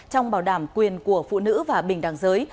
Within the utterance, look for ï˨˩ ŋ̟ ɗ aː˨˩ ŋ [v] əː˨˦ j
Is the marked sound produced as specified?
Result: no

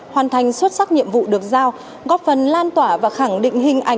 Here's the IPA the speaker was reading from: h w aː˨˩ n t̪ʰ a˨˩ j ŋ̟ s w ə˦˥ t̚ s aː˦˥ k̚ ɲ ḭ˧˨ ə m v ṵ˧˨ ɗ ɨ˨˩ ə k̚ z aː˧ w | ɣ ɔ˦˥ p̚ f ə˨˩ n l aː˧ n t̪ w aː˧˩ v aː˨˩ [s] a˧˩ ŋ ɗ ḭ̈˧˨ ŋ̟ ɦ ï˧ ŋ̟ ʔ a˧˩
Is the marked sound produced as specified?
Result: no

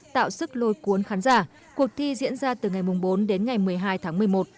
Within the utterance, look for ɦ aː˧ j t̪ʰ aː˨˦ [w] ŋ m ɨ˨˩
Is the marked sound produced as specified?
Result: no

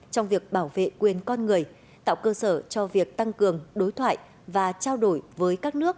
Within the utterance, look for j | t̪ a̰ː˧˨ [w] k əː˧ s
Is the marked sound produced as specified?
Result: yes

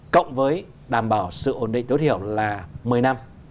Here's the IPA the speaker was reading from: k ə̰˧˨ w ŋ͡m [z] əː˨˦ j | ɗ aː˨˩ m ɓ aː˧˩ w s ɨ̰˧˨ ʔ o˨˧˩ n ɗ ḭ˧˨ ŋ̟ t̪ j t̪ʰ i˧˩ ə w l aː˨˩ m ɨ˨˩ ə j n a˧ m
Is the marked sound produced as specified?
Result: no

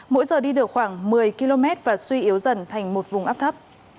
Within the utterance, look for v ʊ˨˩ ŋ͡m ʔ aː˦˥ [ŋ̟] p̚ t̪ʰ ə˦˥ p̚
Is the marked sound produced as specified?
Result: no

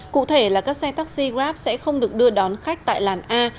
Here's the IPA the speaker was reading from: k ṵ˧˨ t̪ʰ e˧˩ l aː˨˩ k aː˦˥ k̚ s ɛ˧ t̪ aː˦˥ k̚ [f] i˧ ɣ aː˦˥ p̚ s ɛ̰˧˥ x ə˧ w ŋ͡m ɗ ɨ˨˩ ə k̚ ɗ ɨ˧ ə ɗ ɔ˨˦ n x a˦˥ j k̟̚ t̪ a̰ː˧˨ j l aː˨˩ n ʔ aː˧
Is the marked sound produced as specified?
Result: no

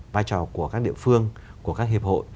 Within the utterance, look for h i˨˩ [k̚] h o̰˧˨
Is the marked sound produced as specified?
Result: no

